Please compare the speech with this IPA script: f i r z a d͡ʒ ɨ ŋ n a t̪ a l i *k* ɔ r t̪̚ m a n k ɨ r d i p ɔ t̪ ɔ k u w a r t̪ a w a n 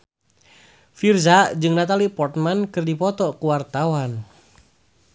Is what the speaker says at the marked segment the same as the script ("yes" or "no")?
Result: no